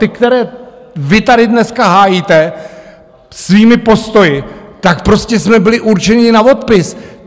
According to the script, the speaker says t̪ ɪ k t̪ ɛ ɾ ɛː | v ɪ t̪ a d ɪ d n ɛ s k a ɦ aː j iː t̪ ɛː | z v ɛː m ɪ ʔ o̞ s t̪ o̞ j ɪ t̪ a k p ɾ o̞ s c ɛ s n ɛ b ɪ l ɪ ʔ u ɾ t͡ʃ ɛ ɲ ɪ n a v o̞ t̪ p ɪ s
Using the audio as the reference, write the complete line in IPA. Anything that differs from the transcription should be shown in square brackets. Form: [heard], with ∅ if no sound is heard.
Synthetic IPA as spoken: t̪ ɪ k t̪ ɛ ɾ ɛː | v ɪ t̪ a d ɪ d n ɛ s k a ɦ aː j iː t̪ [ɛ] | [s] v [iː] m ɪ [p] o̞ s t̪ o̞ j ɪ t̪ a k p ɾ o̞ s c ɛ s [m] ɛ b ɪ l ɪ ʔ u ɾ t͡ʃ ɛ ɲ ɪ n a v o̞ t̪ p ɪ s